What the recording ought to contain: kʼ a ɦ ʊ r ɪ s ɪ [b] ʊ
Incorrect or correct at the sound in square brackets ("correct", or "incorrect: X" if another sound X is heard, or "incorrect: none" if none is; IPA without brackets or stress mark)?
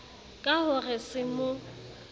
incorrect: m